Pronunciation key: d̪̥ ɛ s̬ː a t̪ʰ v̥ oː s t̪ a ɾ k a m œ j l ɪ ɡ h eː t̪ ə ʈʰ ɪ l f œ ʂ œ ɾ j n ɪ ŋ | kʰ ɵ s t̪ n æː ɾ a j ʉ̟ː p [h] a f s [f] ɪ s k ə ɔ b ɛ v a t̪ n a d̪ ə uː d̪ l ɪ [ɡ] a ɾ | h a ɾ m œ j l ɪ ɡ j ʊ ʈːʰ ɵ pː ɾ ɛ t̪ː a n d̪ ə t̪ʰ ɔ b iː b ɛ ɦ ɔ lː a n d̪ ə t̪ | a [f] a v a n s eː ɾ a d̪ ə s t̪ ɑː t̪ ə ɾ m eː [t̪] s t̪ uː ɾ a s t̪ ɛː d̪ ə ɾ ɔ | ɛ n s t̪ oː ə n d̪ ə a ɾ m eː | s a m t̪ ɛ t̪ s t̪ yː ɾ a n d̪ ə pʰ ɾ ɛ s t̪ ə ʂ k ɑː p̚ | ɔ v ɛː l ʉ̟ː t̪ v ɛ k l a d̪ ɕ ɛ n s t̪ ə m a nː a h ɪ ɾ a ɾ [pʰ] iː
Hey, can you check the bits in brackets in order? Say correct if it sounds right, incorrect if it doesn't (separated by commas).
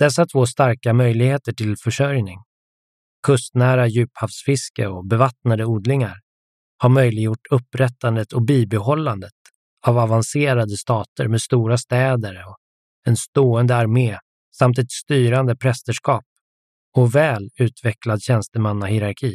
correct, correct, incorrect, incorrect, incorrect, incorrect